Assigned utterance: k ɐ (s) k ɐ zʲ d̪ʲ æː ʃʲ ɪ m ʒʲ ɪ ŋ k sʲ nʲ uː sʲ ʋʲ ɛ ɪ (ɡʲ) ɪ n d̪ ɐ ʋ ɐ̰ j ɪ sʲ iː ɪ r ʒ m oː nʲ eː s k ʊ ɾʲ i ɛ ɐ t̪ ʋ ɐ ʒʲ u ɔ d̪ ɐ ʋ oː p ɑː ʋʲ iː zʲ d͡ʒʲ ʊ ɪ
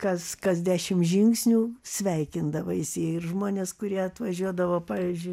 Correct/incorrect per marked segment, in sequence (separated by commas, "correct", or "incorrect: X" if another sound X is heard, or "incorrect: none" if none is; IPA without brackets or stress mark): correct, incorrect: kʲ